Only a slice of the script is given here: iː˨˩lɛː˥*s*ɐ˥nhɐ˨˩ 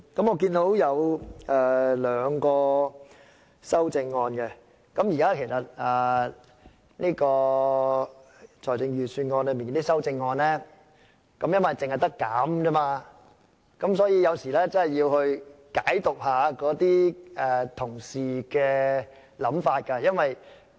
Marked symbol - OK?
no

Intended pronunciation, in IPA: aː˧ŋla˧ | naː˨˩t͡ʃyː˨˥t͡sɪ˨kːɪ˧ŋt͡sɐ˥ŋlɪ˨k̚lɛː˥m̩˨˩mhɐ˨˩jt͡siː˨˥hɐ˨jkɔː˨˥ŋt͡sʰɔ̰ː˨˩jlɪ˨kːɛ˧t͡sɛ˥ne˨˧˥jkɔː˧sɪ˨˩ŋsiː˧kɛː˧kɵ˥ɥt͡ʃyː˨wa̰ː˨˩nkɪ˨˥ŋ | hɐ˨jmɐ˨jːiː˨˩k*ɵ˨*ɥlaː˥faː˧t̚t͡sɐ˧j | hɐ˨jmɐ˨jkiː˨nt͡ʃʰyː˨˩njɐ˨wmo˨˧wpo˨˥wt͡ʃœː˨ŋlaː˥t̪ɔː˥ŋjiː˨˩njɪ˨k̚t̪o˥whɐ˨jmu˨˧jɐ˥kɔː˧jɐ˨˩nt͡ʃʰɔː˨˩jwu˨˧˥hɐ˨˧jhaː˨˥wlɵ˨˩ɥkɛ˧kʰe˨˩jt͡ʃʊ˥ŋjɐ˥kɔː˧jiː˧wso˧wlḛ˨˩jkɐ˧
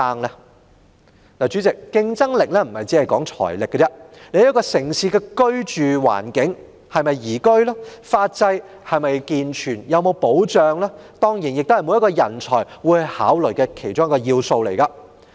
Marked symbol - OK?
no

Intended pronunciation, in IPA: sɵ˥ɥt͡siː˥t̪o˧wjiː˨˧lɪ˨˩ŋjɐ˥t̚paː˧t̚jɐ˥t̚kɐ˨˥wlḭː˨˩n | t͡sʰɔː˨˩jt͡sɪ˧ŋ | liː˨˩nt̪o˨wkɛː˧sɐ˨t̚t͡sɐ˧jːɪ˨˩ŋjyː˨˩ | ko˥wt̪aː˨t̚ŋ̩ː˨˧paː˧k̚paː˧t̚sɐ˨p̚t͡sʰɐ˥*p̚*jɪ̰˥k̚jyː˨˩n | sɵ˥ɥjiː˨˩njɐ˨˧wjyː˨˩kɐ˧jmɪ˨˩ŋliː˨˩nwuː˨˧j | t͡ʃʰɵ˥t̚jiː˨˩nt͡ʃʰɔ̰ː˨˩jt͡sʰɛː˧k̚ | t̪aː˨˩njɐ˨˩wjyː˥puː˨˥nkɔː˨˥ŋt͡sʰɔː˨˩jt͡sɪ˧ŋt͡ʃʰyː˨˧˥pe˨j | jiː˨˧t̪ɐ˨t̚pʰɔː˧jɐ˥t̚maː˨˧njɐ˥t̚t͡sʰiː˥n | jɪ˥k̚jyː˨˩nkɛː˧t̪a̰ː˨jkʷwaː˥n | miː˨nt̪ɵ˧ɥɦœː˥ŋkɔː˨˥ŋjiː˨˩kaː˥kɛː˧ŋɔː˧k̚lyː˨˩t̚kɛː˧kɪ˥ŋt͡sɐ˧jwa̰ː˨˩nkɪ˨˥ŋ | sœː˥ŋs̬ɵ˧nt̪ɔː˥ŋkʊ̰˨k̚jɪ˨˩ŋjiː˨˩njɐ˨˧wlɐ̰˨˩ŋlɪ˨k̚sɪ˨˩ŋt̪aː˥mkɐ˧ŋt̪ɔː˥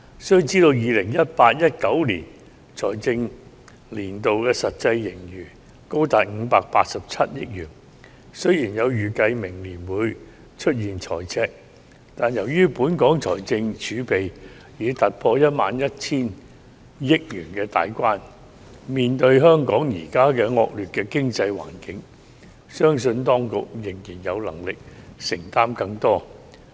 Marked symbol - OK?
no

